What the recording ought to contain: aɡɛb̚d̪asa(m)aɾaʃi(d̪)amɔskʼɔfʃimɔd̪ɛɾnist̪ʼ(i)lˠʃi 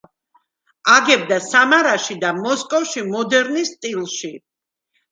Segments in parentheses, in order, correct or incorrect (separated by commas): correct, correct, correct